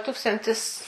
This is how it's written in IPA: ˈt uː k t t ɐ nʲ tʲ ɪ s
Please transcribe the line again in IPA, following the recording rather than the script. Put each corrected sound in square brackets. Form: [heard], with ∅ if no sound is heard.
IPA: ˈt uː k [s] t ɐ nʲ tʲ ɪ s